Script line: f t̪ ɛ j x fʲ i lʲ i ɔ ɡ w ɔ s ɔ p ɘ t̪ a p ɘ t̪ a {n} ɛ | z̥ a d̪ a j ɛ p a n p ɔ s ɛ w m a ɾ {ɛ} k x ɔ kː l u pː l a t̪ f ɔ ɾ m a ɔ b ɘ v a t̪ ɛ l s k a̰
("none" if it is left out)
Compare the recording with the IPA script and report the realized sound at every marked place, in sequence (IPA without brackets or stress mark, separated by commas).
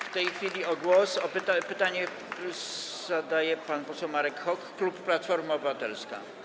ɲ, ɛ